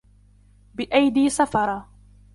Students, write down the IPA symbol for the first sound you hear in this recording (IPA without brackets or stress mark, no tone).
b